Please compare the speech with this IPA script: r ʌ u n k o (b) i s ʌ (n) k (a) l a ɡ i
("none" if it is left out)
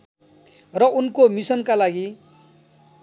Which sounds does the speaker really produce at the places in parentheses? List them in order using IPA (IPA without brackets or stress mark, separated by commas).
m, n, a